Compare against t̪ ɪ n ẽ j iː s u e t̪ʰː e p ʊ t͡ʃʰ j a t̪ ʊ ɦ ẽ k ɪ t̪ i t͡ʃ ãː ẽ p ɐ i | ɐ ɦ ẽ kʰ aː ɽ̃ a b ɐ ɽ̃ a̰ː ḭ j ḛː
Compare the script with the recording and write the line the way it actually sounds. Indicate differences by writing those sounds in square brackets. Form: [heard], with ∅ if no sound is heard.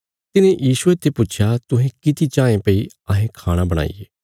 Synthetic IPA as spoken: t̪ ɪ n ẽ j iː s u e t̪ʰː e p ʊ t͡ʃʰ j a t̪ ʊ ɦ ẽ k ɪ t̪ i t͡ʃ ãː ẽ p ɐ i | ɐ ɦ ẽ kʰ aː ɽ̃ a b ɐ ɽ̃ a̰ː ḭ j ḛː